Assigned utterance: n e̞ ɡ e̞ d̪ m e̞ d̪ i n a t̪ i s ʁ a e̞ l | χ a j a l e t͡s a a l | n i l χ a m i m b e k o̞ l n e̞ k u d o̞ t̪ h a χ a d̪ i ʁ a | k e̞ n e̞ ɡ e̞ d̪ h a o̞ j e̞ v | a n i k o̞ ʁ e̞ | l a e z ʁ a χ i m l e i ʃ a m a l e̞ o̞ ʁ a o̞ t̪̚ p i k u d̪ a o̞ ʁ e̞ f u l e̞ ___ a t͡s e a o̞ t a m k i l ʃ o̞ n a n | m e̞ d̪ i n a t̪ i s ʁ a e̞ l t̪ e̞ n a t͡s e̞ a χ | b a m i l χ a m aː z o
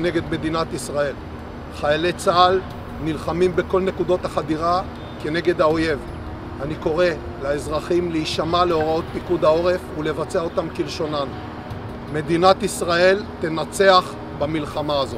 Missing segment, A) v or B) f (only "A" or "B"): A